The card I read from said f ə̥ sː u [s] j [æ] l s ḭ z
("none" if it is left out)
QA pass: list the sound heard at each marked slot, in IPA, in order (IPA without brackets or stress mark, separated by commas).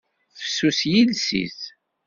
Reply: s, i